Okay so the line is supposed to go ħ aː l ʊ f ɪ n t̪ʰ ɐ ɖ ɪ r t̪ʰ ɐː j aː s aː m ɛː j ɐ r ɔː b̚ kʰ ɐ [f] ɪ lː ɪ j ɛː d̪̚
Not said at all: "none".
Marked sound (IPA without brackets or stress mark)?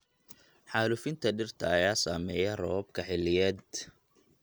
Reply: ħ